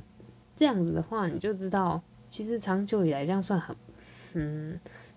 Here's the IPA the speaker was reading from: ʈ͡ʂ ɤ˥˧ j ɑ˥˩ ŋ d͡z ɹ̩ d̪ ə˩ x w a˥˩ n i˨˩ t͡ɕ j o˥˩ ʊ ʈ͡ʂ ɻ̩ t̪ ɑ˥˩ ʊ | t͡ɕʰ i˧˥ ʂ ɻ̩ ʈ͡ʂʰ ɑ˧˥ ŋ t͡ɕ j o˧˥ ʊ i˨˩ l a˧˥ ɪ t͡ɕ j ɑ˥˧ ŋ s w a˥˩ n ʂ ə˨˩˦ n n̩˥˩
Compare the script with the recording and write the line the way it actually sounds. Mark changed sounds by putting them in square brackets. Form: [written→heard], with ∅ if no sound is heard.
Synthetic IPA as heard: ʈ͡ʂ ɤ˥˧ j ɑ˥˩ ŋ d͡z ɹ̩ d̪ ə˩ x w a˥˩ n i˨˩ t͡ɕ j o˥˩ ʊ ʈ͡ʂ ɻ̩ t̪ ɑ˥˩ ʊ | t͡ɕʰ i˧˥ ʂ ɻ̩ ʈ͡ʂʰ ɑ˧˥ ŋ t͡ɕ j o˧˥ ʊ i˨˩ l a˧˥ ɪ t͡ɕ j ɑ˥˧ ŋ s w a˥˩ n [ʂ→x] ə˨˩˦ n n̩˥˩